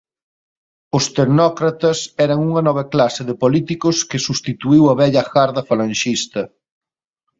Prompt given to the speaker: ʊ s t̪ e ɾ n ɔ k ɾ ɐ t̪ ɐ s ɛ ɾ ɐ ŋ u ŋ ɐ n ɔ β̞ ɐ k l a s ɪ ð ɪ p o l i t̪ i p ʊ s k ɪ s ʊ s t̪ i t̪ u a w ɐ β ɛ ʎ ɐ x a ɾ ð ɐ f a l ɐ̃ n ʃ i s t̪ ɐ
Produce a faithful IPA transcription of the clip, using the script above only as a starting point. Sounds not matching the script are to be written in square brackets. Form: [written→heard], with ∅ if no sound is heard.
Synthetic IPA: ʊ s t̪ e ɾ n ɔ k ɾ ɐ t̪ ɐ s ɛ ɾ ɐ ŋ u ŋ ɐ n ɔ β̞ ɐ k l a s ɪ ð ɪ p o l i t̪ i [p→k] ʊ s k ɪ s [ʊ→u] s t̪ i t̪ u [a→i] w ɐ β ɛ ʎ ɐ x a ɾ ð ɐ f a l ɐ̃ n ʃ i s t̪ ɐ

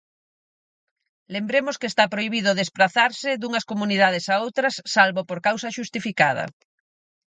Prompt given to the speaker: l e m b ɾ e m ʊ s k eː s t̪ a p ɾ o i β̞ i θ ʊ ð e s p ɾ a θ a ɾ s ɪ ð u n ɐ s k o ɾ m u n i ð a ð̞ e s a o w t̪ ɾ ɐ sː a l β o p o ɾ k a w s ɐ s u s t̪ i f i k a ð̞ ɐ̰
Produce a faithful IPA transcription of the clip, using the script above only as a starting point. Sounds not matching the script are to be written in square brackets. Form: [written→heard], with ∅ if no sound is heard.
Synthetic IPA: l e m b ɾ e m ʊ s k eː s t̪ a p ɾ o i β̞ i [θ→ð] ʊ ð e s p ɾ a θ a ɾ s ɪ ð u [n→ŋ] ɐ s k o [ɾ→∅] m u n i ð a ð̞ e s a o w t̪ ɾ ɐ sː a l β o p o ɾ k a w s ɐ [s→ʃ] u s t̪ i f i k a ð̞ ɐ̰

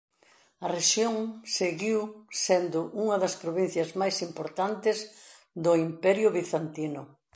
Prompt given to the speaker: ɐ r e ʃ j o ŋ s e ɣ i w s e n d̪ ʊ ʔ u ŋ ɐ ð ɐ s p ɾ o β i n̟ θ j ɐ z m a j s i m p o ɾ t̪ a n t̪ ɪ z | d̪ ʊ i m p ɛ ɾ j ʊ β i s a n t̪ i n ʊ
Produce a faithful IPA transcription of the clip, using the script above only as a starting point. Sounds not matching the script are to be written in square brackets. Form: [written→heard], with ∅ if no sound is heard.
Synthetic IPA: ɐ r e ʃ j o ŋ s e ɣ i w s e n d̪ ʊ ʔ u ŋ ɐ ð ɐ s p ɾ o β i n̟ θ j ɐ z m a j s i m p o ɾ t̪ a n t̪ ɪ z | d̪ ʊ i m p ɛ ɾ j ʊ β i [s→θ] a n t̪ i n ʊ

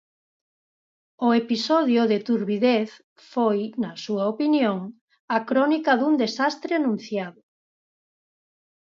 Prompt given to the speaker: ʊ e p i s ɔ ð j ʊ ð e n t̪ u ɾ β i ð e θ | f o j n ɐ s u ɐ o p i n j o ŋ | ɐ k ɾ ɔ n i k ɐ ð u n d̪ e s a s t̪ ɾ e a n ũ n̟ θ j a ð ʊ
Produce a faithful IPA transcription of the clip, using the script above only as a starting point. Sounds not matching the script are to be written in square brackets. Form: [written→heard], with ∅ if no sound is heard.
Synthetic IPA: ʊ e p i s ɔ ð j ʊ ð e [n→∅] t̪ u ɾ β i ð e θ | f o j n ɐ s u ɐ o p i n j o ŋ | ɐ k ɾ ɔ n i k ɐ ð u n d̪ e s a s t̪ ɾ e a n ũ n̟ θ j a ð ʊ

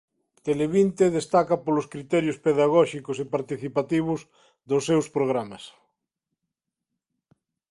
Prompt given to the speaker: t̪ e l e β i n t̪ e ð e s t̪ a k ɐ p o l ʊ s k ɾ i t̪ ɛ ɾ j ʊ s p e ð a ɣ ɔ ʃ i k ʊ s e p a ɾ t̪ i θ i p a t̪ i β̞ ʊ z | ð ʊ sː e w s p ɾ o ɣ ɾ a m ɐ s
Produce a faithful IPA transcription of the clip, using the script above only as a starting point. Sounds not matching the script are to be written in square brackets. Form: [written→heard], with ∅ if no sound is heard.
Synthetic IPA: t̪ e l e β i n t̪ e ð e s t̪ a k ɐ p o l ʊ s k ɾ i t̪ ɛ ɾ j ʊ s p e ð a ɣ ɔ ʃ i k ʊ s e p a ɾ t̪ i θ i p a t̪ i β̞ ʊ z | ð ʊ sː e w s p ɾ o ɣ ɾ a m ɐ s

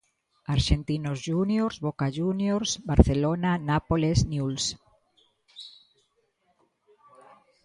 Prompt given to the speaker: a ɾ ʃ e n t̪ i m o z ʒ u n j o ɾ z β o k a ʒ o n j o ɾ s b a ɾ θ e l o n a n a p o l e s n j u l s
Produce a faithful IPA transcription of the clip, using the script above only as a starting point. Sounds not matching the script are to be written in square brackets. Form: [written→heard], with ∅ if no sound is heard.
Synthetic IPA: a ɾ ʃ e n t̪ i [m→n] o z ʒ u n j o ɾ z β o k a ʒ [o→u] n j o ɾ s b a ɾ θ e l o n a n a p o l e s n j u l s

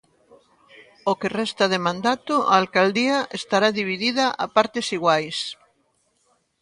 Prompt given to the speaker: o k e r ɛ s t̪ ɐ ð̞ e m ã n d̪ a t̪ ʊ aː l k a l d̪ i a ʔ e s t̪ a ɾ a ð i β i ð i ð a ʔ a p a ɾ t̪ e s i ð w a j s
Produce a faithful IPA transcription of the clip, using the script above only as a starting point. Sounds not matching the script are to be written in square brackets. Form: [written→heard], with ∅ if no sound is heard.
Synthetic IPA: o k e r ɛ s t̪ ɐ ð̞ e m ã n d̪ a t̪ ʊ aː l k a l d̪ i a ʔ e s t̪ a ɾ a ð i β i ð i ð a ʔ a p a ɾ t̪ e s i [ð→ɣ] w a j s

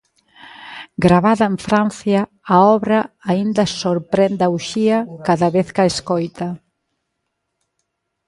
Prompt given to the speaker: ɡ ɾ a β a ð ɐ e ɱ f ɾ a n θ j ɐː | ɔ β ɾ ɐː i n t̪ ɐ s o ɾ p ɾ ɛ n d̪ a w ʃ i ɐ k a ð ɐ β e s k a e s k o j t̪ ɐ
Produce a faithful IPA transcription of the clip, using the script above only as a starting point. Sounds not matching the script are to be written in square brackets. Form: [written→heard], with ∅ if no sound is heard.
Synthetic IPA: ɡ ɾ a β a ð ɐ e ɱ f ɾ a n θ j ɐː | ɔ β ɾ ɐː i n [t̪→d̪] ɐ s o ɾ p ɾ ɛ n d̪ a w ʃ i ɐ k a ð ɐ β e [s→θ] k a e s k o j t̪ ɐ

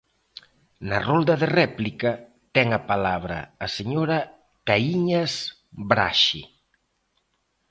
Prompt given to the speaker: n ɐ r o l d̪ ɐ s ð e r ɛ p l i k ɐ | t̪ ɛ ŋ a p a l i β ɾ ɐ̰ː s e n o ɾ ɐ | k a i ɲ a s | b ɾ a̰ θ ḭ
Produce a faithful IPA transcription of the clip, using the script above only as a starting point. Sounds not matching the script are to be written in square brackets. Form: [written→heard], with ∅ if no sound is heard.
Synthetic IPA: n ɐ r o l d̪ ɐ [s→∅] ð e r ɛ p l i k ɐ | t̪ ɛ ŋ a p a l [i→a] β ɾ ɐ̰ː s e [n→ɲ] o ɾ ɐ | k a i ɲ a s | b ɾ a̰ [θ→ʃ] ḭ

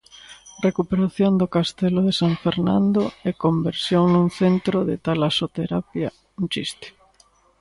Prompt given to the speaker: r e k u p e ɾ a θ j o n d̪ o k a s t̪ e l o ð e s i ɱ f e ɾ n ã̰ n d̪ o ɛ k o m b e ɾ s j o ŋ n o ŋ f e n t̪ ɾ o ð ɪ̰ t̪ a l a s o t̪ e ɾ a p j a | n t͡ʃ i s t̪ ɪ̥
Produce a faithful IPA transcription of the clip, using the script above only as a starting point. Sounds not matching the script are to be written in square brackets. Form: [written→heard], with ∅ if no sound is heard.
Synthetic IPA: r e k u p e ɾ a θ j o n d̪ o k a s t̪ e l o ð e s [i→a] ɱ f e ɾ n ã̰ n d̪ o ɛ k o m b e ɾ s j o ŋ n [o→u] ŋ [f→θ] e n t̪ ɾ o ð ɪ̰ t̪ a l a s o t̪ e ɾ a p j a | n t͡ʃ i s t̪ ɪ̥

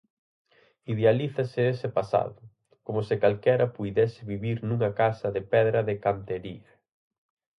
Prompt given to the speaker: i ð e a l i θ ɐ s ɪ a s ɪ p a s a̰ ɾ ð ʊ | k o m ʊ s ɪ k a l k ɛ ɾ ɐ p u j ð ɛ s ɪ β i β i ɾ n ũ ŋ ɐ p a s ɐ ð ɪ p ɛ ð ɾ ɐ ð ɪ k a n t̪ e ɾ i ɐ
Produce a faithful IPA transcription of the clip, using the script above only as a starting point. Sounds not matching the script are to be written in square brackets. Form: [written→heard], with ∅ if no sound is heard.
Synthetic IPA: i ð e a l i θ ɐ s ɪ [a→e] s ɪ p a s a̰ [ɾ→∅] ð ʊ | k o m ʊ s ɪ k a l k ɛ ɾ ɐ p u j ð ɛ s ɪ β i β i ɾ n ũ ŋ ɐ [p→k] a s ɐ ð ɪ p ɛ ð ɾ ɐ ð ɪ k a n t̪ e ɾ i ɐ

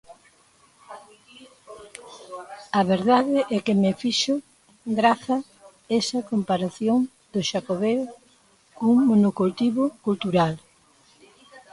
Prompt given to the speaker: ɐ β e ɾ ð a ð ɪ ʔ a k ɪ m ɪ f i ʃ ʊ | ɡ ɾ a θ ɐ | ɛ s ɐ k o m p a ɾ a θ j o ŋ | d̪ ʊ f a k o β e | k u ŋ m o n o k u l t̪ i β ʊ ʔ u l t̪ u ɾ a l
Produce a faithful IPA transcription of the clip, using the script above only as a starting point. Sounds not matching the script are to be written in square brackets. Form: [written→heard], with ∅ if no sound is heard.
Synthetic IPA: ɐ β e ɾ ð a ð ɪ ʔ [a→ɛ] k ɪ m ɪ f i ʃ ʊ | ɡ ɾ a θ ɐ | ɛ s ɐ k o m p a ɾ a θ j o ŋ | d̪ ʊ [f→ʃ] a k o β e | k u ŋ m o n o k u l t̪ i β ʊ [ʔ→k] u l t̪ u ɾ a l

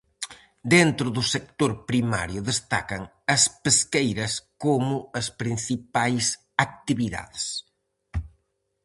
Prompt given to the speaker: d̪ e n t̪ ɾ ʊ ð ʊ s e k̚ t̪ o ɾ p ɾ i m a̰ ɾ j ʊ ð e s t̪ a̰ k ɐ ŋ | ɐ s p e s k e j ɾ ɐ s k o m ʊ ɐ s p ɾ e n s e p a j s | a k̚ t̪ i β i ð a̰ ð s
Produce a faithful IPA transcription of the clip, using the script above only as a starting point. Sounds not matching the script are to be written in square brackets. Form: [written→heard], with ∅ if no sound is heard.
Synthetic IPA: d̪ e n t̪ ɾ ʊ ð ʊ s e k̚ t̪ o ɾ p ɾ i m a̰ ɾ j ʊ ð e s t̪ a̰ k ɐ ŋ | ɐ s p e s k e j ɾ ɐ s k o m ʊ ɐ s p ɾ [e→i] n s [e→i] p a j s | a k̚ t̪ i β i ð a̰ ð s

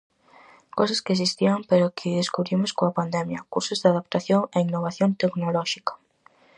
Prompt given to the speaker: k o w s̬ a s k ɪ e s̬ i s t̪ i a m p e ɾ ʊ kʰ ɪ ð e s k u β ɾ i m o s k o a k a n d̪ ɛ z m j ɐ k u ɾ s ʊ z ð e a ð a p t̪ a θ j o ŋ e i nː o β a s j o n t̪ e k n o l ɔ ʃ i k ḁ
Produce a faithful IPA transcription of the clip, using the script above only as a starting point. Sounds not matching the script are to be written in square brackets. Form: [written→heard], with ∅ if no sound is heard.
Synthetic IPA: k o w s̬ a s k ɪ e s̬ i s t̪ i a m p e ɾ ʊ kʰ ɪ ð e s k u β ɾ i m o s k o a [k→p] a n d̪ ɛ [z→∅] m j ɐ k u ɾ s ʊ z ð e a ð a p t̪ a θ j o ŋ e i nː o β a [s→θ] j o n t̪ e k n o l ɔ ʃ i k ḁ

